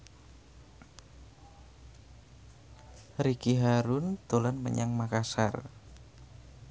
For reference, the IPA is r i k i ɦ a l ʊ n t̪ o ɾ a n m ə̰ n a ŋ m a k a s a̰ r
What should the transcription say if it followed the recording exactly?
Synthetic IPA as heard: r i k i ɦ a ɾ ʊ n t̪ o l a n m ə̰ ɲ a ŋ m a k a s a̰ r